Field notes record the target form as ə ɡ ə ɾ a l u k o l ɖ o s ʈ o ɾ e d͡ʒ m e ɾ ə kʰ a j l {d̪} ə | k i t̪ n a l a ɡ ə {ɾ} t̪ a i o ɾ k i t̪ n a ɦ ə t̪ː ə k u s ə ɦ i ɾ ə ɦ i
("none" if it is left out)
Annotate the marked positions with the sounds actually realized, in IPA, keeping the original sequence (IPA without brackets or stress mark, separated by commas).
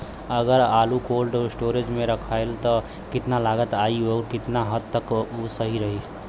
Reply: t̪, none